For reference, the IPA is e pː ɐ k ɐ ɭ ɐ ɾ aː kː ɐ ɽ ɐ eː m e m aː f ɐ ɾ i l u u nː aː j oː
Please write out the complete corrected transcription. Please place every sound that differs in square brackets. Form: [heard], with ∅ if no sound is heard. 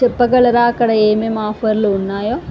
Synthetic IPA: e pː ɐ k ɐ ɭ ɐ ɾ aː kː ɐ ɽ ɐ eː m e m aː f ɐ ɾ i l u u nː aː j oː